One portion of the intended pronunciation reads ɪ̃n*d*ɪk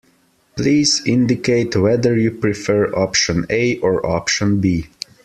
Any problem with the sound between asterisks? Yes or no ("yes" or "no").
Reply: no